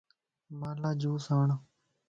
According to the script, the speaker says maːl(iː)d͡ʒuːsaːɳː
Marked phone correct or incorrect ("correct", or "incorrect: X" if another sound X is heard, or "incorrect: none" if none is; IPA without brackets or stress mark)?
incorrect: aː